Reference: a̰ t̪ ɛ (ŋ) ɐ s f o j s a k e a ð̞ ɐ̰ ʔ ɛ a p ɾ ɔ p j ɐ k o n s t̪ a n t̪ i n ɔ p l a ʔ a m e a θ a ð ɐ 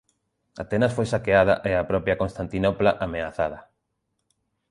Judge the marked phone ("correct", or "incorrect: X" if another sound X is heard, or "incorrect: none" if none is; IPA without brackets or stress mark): incorrect: n